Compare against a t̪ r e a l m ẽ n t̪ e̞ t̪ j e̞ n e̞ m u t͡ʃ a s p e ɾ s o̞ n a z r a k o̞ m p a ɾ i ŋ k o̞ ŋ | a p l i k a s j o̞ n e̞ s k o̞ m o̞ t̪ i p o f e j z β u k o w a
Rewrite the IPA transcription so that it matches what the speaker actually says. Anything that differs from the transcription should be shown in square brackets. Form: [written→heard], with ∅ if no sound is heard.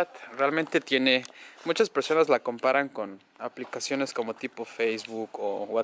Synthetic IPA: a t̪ r e a l m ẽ n t̪ e̞ t̪ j e̞ n e̞ m u t͡ʃ a s p e ɾ s o̞ n a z [r→l] a k o̞ m p a ɾ [i→a] ŋ k o̞ [ŋ→n] | a p l i k a s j o̞ n e̞ s k o̞ m o̞ t̪ i p o f e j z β u k o w a

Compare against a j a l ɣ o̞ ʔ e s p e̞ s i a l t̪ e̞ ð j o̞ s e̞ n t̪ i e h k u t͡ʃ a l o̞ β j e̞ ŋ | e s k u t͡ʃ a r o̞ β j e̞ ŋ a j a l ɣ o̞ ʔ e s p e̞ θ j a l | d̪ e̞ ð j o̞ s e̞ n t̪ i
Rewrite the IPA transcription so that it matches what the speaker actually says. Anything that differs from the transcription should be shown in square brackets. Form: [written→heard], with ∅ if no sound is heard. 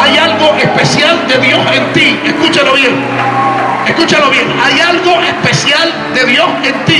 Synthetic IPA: a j a l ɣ o̞ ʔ e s p e̞ s [i→j] a l [t̪→d̪] e̞ ð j o̞ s e̞ n t̪ i e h k u t͡ʃ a l o̞ β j e̞ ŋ | e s k u t͡ʃ a [r→l] o̞ β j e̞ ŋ a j a l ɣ o̞ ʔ e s p e̞ [θ→s] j a l | d̪ e̞ ð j o̞ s e̞ n t̪ i

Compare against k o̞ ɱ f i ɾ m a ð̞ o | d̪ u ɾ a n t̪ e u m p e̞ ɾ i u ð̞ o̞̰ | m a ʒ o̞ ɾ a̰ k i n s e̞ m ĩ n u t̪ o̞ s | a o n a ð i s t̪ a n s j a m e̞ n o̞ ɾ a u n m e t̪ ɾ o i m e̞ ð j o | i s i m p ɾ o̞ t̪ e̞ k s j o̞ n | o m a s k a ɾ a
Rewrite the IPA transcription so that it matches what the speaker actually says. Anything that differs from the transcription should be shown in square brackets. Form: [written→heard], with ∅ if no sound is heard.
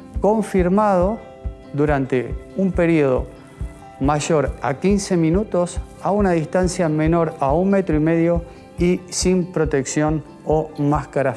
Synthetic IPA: k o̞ ɱ f i ɾ m a ð̞ o | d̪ u ɾ a n t̪ e u m p e̞ ɾ i [u→o] ð̞ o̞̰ | m a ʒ o̞ ɾ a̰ k i n s e̞ m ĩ n u t̪ o̞ s | a [o→u] n a ð i s t̪ a n s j a m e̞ n o̞ ɾ a u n m e t̪ ɾ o i m e̞ ð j o | i s i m p ɾ o̞ t̪ e̞ k s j o̞ n | o m a s k a ɾ a

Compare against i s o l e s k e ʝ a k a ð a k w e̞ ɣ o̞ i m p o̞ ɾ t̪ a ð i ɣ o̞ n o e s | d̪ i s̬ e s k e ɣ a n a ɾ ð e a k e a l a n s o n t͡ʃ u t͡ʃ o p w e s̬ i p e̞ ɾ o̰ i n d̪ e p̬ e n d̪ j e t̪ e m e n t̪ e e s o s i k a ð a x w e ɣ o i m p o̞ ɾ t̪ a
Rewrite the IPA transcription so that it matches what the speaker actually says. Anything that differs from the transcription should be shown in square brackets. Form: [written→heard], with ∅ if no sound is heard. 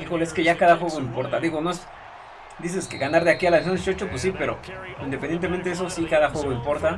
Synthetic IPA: i [s→x] o l e s k e ʝ a k a ð a [k→x] w e̞ ɣ o̞ i m p o̞ ɾ t̪ a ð i ɣ o̞ n o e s | d̪ i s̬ e s k e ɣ a n a ɾ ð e a k [e→i] a l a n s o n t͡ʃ [u→o] t͡ʃ o p w e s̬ i p e̞ ɾ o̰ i n d̪ e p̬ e n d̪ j e t̪ e m e n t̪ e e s o s i k a ð a x w e ɣ o i m p o̞ ɾ t̪ a

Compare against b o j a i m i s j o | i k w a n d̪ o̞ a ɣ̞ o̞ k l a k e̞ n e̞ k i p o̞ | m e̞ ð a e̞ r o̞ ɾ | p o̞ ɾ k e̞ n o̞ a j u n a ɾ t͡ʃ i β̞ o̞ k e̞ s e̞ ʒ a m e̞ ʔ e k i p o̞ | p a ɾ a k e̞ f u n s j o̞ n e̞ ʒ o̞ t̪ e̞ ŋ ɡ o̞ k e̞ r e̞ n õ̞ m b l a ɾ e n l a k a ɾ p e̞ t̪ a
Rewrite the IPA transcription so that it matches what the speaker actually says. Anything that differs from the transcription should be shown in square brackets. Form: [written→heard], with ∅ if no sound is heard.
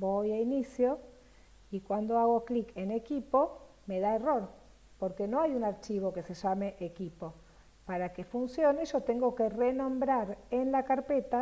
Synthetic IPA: b o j a i [m→n] i s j o | i k w a n d̪ o̞ a ɣ̞ o̞ k l [a→i] k e̞ n e̞ k i p o̞ | m e̞ ð a e̞ r o̞ ɾ | p o̞ ɾ k e̞ n o̞ a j u n a ɾ t͡ʃ i β̞ o̞ k e̞ s e̞ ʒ a m e̞ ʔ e k i p o̞ | p a ɾ a k e̞ f u n s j o̞ n e̞ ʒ o̞ t̪ e̞ ŋ ɡ o̞ k e̞ r e̞ n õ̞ m b [l→ɾ] a ɾ e n l a k a ɾ p e̞ t̪ a

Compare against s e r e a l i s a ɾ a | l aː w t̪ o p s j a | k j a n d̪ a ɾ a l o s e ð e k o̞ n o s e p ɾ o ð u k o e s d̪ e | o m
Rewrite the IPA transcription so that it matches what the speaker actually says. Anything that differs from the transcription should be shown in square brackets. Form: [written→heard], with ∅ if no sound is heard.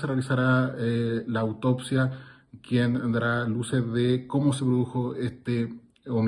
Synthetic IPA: s e r e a l i s a ɾ a | l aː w t̪ o p s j a | k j [a→e] n d̪ a ɾ a l [o→u] s e ð e k o̞ [n→m] o s e p ɾ o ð u [k→x] o e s [d̪→t̪] e | o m

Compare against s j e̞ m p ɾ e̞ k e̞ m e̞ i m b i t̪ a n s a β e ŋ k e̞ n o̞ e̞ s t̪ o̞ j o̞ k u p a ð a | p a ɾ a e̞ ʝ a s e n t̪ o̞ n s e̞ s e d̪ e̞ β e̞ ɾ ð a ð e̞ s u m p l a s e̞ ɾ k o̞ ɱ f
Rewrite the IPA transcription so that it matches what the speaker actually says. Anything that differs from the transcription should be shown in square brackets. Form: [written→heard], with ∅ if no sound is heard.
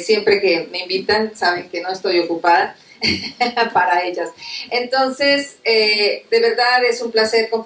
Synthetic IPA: s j e̞ m p ɾ e̞ k e̞ m e̞ i m b i t̪ a n s a β e ŋ k e̞ n o̞ e̞ s t̪ o̞ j o̞ k u p a ð a | p a ɾ a e̞ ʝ a s e n t̪ o̞ n s e̞ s e d̪ e̞ β e̞ ɾ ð a ð e̞ s u m p l a s e̞ ɾ k o̞ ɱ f

